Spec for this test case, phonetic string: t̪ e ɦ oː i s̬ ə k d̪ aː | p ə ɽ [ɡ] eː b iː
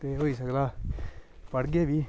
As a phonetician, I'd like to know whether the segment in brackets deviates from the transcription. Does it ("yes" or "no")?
no